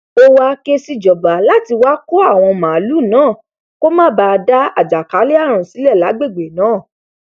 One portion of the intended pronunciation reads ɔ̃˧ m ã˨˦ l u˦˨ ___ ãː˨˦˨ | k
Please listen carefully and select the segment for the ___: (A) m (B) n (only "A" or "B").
B